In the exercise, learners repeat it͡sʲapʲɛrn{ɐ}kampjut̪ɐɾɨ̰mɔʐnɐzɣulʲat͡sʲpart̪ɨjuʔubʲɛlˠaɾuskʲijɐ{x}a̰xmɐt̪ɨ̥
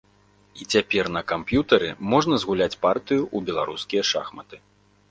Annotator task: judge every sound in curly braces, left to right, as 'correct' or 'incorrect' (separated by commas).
correct, incorrect